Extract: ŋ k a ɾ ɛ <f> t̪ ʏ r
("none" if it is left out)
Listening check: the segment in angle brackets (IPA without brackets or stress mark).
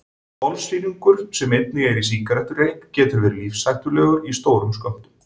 h